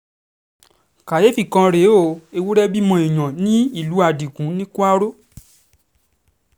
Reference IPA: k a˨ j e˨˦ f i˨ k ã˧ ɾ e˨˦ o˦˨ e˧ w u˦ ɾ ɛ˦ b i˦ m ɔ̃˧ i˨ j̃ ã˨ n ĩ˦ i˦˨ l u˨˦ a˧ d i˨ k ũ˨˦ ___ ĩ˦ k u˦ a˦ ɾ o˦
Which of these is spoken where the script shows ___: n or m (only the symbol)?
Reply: n